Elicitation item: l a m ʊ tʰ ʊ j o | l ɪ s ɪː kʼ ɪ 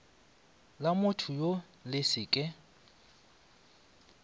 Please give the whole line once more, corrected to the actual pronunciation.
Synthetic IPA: l a m ʊ tʰ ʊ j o | l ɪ s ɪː kʼ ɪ